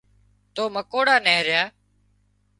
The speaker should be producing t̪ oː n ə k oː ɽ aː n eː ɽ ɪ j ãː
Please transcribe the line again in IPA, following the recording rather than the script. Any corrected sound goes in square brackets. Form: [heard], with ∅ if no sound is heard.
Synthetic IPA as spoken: t̪ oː [m] ə k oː ɽ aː n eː [ɾ] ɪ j [aː]